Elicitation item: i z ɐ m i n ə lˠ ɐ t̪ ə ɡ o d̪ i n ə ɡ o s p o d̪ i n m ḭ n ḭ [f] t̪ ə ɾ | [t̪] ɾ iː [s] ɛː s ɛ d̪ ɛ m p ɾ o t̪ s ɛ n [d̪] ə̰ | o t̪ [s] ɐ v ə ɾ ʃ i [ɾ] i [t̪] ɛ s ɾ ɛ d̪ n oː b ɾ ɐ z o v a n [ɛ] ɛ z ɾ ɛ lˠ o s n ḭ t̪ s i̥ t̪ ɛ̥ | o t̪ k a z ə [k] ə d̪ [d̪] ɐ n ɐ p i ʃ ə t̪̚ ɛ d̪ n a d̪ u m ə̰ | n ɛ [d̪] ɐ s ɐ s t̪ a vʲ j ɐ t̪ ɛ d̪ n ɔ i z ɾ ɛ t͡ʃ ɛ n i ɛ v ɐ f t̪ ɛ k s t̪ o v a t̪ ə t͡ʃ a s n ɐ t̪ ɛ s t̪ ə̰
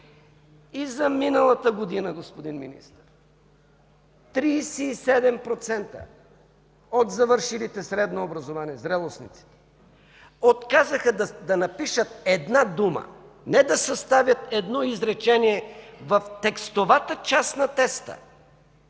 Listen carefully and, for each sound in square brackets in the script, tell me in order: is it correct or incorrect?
incorrect: s, correct, correct, incorrect: t̪, incorrect: z, incorrect: l, correct, incorrect: i, incorrect: x, correct, correct

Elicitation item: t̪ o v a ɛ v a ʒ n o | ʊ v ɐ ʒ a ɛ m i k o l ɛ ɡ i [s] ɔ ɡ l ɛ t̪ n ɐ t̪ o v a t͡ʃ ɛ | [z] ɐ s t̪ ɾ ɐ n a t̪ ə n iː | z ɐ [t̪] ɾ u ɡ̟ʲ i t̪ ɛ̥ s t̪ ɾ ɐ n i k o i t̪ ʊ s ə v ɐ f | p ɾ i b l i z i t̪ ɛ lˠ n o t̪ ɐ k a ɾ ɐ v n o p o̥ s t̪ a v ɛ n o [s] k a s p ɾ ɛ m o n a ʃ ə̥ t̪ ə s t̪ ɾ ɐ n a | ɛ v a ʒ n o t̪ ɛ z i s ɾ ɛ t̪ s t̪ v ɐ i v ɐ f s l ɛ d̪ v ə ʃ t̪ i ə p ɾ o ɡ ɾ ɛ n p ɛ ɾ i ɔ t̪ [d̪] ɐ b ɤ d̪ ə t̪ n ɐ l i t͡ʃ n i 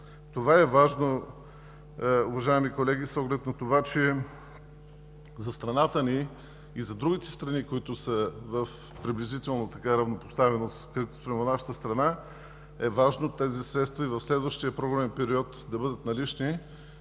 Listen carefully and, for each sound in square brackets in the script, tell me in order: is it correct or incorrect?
correct, correct, incorrect: d̪, correct, correct

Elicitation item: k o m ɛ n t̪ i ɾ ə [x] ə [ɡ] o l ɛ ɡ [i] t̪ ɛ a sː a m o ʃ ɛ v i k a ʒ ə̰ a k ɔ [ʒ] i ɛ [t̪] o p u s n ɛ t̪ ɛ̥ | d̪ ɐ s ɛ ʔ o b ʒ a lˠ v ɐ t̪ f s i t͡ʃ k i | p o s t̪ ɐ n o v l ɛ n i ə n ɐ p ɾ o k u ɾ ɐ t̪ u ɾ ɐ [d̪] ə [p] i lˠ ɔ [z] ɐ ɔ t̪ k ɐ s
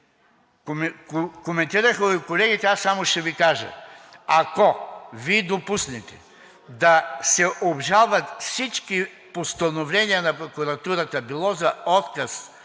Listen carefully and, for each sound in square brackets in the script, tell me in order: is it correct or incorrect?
correct, incorrect: k, correct, incorrect: v, incorrect: d̪, incorrect: t̪, incorrect: b, correct

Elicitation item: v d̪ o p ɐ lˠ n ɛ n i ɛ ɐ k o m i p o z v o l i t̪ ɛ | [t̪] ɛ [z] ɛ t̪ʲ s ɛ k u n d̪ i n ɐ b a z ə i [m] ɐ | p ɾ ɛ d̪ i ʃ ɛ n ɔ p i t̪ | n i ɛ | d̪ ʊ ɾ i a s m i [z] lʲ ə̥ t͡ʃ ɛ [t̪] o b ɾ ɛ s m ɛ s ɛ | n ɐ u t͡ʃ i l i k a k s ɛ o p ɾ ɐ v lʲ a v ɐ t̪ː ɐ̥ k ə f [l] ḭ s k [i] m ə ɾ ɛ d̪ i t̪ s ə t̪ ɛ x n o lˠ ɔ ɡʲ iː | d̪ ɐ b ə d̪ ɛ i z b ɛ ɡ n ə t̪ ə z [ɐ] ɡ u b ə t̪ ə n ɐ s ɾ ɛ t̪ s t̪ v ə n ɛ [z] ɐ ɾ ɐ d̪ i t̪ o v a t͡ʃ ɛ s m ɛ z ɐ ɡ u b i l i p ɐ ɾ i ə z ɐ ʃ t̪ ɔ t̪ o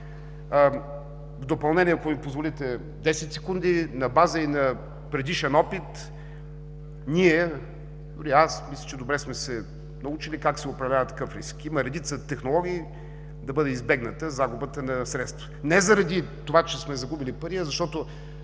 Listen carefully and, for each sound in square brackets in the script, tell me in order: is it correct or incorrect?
incorrect: d̪, incorrect: s, incorrect: n, incorrect: s, incorrect: d̪, incorrect: ɾ, correct, incorrect: a, correct

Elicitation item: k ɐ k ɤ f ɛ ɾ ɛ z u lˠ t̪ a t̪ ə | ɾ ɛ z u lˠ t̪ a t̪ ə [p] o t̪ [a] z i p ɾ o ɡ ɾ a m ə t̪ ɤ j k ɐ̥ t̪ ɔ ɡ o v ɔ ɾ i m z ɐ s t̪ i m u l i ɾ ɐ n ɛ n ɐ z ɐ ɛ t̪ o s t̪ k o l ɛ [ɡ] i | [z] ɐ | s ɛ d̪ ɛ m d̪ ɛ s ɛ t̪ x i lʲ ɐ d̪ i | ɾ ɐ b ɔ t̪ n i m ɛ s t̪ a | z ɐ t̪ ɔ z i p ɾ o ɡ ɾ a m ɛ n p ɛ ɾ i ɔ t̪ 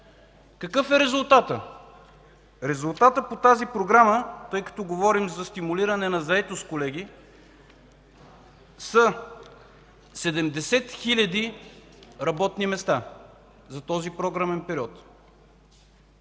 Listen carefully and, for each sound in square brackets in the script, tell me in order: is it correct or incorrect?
correct, correct, correct, incorrect: s

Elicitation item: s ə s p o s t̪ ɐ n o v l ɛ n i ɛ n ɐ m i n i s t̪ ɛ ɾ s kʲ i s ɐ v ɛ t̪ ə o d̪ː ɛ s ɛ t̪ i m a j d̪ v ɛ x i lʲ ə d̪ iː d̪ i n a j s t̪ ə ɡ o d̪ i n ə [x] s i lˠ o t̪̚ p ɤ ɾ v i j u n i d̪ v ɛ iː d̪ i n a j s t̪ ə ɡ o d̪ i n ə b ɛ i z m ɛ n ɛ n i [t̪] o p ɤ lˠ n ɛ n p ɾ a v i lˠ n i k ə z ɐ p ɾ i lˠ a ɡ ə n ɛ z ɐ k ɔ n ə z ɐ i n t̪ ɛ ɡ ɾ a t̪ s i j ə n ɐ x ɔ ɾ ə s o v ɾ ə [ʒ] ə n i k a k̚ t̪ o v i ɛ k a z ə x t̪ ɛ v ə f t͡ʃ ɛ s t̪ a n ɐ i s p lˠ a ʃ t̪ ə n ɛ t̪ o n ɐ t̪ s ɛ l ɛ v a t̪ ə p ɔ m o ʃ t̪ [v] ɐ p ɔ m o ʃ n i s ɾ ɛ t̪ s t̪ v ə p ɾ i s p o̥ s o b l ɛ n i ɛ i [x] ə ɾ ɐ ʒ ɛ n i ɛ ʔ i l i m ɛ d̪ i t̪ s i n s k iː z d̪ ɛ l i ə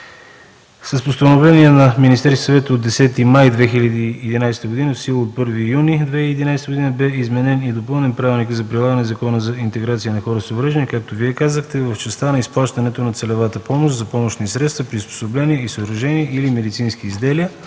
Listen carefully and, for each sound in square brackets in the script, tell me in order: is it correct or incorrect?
incorrect: f, incorrect: d̪, correct, incorrect: z, incorrect: s

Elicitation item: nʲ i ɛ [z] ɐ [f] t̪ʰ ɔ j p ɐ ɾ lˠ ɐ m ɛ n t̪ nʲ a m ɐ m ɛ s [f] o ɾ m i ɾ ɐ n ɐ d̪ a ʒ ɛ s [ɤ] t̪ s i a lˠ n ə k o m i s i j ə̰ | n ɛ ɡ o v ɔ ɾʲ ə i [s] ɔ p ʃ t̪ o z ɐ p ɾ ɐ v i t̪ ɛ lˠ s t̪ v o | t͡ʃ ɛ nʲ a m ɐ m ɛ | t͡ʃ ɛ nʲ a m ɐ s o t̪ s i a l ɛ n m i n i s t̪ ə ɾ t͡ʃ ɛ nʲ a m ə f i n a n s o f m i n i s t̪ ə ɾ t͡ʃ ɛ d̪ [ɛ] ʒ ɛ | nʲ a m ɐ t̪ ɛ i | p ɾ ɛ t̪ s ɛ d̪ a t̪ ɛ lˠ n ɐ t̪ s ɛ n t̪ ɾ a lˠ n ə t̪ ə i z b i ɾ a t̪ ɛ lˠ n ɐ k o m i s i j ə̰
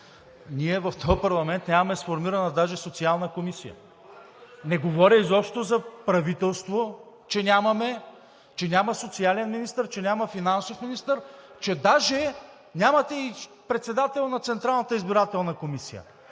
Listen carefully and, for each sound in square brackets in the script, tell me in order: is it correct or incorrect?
incorrect: v, correct, correct, incorrect: o, incorrect: z, incorrect: a

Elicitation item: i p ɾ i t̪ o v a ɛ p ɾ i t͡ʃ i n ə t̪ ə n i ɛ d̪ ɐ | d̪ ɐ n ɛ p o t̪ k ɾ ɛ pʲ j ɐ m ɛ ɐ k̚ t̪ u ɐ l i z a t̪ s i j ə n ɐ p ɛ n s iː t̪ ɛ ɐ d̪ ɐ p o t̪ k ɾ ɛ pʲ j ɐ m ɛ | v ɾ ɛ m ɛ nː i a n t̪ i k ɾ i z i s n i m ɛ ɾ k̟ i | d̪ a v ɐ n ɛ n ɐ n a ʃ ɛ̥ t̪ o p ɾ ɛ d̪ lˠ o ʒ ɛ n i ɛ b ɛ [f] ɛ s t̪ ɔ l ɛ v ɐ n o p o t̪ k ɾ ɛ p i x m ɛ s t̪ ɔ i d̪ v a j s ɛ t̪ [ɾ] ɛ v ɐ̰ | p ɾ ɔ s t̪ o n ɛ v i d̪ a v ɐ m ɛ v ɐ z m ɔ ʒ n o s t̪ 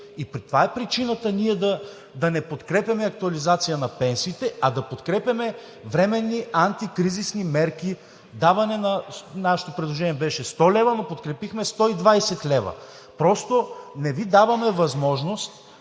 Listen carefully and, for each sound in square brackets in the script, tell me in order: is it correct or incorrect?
incorrect: ʃ, incorrect: l

